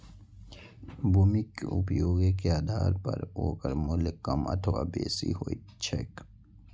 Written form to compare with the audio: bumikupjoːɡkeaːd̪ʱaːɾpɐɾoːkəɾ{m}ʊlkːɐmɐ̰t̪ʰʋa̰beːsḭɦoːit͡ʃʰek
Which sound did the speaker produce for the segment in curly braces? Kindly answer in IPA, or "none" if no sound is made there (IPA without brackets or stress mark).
m